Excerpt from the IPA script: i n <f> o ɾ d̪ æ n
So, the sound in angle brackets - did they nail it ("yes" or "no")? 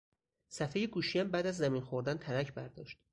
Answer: no